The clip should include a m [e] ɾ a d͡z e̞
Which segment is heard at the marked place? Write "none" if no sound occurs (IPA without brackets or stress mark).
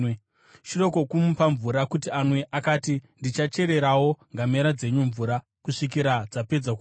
e